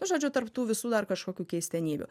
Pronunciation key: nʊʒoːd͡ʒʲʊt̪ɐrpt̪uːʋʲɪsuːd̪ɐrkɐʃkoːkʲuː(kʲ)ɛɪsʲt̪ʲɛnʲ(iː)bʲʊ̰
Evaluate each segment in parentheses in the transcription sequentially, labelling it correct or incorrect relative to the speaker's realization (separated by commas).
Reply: correct, correct